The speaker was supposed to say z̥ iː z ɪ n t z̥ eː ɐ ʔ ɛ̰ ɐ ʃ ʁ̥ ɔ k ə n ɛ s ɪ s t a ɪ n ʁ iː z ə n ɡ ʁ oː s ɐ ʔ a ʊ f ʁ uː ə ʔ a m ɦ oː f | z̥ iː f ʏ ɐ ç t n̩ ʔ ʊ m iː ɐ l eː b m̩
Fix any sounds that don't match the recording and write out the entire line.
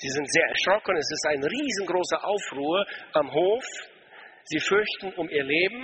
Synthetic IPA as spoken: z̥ iː z ɪ n t z̥ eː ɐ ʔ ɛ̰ ɐ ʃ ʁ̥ ɔ k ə n ɛ s ɪ s t a ɪ n ʁ iː z ə n ɡ ʁ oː s ɐ ʔ a ʊ f ʁ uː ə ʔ a m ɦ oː f | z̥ iː f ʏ ɐ ç t n̩ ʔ ʊ m iː ɐ l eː b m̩